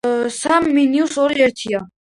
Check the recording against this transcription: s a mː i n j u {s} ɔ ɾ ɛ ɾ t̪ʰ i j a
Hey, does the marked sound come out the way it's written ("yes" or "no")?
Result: yes